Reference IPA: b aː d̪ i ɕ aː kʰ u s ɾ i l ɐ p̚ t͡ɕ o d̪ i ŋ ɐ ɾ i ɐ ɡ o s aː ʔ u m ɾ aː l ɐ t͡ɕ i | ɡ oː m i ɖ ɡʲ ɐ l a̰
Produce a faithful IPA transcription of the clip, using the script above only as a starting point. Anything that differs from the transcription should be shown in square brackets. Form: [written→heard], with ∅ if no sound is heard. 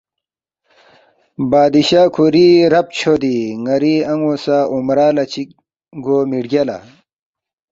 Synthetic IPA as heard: b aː d̪ i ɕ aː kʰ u [s→∅] ɾ i [l→ɾ] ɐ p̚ [t͡ɕ→t͡ɕʰ] o d̪ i ŋ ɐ ɾ i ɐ [ɡ→ŋ] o s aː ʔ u m ɾ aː l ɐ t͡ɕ i | ɡ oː m i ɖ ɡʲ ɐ l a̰